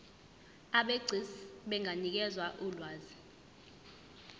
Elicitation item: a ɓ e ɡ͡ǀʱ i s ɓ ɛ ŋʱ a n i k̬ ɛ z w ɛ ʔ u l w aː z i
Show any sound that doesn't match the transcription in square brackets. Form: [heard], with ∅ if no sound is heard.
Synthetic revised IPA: a ɓ e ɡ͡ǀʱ i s ɓ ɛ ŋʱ a n i k̬ ɛ z w [a] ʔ u l w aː z i